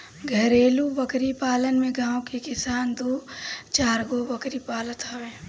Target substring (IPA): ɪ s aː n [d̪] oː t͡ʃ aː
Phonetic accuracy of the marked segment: correct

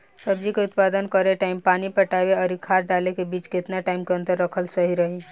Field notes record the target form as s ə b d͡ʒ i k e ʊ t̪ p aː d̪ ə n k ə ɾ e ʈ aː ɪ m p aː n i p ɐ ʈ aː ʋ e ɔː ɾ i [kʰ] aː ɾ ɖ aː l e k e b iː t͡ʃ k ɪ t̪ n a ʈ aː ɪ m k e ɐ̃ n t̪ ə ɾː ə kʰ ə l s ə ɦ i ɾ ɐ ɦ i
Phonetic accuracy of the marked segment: correct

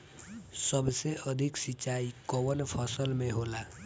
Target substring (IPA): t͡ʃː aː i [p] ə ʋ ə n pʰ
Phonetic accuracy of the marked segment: incorrect: k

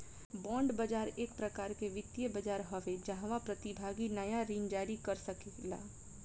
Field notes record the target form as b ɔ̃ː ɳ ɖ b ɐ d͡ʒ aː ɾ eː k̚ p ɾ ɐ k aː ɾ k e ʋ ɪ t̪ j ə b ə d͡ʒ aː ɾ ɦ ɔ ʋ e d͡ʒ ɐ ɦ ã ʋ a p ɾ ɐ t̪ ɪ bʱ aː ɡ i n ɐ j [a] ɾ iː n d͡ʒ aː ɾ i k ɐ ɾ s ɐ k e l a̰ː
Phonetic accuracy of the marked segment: correct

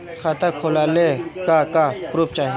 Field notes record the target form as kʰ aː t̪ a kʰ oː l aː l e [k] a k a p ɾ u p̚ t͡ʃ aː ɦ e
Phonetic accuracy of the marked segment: correct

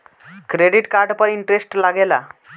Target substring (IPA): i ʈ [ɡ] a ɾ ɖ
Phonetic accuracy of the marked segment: incorrect: k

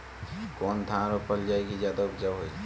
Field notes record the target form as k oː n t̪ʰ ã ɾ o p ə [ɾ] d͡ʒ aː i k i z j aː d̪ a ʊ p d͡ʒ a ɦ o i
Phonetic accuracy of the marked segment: incorrect: l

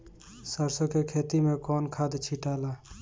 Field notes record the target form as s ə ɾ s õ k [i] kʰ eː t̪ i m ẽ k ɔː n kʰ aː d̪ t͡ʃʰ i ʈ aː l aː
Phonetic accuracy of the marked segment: incorrect: e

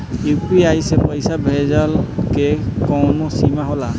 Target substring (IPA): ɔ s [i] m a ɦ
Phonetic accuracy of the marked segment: correct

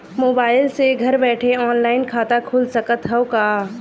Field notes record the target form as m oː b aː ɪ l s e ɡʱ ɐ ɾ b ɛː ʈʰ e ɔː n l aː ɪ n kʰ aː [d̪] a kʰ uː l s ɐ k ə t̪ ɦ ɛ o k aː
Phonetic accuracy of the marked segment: incorrect: t̪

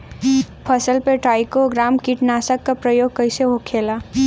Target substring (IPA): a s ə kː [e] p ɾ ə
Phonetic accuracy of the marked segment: incorrect: a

